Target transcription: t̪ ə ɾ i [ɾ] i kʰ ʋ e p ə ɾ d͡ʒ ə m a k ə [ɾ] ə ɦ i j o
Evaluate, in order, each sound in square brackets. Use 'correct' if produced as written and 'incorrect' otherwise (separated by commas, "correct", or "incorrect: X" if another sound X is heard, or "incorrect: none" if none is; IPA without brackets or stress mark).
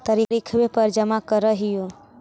correct, correct